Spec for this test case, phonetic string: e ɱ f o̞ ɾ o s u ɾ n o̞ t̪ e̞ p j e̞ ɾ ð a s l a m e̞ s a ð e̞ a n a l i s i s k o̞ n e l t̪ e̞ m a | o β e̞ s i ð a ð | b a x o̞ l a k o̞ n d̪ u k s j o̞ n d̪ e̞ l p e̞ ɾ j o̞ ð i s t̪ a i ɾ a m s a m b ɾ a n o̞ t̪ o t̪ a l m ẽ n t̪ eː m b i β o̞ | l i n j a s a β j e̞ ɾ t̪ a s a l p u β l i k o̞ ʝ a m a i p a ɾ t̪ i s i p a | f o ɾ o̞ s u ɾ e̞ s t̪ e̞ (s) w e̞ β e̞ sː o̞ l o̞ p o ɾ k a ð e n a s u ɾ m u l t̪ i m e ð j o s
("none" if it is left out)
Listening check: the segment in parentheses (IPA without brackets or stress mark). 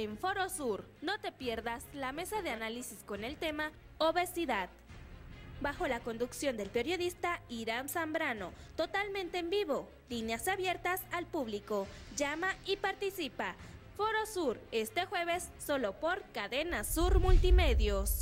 x